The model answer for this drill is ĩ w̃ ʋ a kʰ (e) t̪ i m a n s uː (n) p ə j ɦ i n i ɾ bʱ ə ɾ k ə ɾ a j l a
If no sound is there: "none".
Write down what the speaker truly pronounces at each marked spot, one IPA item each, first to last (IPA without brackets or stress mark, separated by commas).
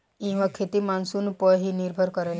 e, n